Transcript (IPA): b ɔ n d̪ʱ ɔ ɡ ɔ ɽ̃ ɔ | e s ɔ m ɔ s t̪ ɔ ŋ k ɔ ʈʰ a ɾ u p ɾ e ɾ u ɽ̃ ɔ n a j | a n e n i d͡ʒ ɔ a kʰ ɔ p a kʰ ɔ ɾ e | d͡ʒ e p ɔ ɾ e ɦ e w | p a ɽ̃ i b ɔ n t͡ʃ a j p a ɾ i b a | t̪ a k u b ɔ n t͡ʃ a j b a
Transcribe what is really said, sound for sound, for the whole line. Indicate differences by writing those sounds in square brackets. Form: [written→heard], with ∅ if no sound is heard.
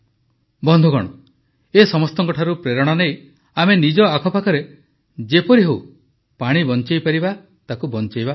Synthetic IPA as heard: b ɔ n d̪ʱ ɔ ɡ ɔ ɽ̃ ɔ | e s ɔ m ɔ s t̪ ɔ ŋ k ɔ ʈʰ a ɾ u p ɾ e ɾ [u→ɔ] ɽ̃ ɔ n [a→e] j | a [n→m] e n i d͡ʒ ɔ a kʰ ɔ p a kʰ ɔ ɾ e | d͡ʒ e p ɔ ɾ [e→i] ɦ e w | p a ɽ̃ i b ɔ n t͡ʃ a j p a ɾ i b a | t̪ a k u b ɔ n t͡ʃ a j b a